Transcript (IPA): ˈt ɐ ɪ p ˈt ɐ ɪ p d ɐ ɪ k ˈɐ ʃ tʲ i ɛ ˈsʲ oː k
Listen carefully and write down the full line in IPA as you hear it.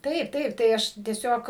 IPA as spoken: ˈt ɐ ɪ p ˈt ɐ ɪ p t ɐ ɪ ˈɐ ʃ tʲ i ɛ ˈsʲ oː k